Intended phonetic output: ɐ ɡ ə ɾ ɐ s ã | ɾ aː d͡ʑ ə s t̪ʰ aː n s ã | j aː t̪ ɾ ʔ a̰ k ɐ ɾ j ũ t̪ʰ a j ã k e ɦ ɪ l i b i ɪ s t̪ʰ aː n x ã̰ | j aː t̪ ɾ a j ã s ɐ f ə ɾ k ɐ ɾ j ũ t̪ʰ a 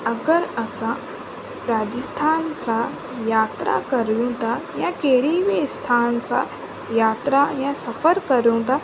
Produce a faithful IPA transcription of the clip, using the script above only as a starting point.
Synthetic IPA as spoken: ɐ ɡ ə ɾ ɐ s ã | ɾ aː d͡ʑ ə s t̪ʰ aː n s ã | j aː t̪ ɾ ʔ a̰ k ɐ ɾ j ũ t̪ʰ a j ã k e ɦ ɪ ɽ i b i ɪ s t̪ʰ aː n s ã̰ | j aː t̪ ɾ a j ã s ɐ f ə ɾ k ɐ ɾ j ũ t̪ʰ a